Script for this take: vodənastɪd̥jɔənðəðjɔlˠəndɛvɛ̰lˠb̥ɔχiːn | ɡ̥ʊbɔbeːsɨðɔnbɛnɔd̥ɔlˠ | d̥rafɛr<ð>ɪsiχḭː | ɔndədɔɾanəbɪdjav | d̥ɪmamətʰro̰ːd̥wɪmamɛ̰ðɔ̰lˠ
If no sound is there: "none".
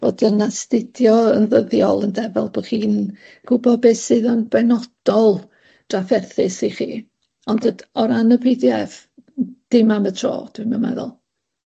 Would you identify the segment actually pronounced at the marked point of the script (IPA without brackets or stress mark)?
θ